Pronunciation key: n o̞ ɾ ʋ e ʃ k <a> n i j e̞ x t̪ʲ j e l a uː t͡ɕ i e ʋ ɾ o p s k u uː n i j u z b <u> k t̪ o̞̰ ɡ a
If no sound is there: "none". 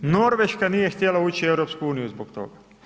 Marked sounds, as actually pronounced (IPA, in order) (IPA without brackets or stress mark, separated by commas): a, o